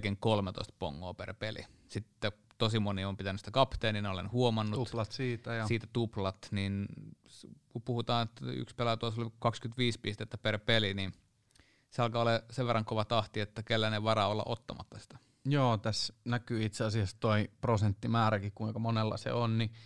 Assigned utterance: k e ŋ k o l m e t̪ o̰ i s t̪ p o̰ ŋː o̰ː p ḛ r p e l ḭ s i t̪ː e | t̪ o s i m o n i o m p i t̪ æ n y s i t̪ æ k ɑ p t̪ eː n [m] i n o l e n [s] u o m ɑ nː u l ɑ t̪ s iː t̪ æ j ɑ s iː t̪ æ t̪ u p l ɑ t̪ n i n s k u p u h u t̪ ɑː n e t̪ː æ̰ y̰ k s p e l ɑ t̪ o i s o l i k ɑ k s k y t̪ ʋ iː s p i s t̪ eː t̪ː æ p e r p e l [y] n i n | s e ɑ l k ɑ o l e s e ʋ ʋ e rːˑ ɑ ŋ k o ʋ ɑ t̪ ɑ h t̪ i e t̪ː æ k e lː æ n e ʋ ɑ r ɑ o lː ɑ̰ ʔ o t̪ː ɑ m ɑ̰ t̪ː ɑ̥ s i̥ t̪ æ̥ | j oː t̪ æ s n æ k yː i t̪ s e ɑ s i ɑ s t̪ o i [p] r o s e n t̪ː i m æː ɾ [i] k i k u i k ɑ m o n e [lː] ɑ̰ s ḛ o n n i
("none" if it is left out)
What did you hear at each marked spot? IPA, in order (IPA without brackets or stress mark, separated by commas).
n, h, i, p, æ, lː